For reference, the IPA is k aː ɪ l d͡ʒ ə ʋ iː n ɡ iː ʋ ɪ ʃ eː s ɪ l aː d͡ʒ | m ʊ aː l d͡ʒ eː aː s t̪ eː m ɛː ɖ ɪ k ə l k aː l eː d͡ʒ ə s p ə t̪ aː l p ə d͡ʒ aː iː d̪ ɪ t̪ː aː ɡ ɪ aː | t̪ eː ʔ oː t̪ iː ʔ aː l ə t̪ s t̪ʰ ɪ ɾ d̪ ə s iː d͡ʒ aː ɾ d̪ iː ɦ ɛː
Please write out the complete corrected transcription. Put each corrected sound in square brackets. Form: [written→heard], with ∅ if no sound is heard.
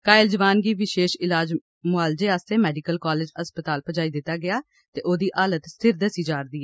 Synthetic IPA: k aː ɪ l d͡ʒ ə ʋ [iː→aː] n ɡ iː ʋ ɪ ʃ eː [s→ʃ] ɪ l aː d͡ʒ | m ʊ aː l d͡ʒ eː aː s t̪ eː m ɛː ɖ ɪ k ə l k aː l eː d͡ʒ ə s p ə t̪ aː l p ə d͡ʒ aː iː d̪ ɪ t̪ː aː ɡ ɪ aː | t̪ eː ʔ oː [t̪→d̪] iː ʔ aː l ə t̪ s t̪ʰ ɪ ɾ d̪ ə s iː d͡ʒ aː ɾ d̪ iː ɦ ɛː